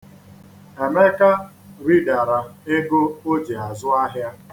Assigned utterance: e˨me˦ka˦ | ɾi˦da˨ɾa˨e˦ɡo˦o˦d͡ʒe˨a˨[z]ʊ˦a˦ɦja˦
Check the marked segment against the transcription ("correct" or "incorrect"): correct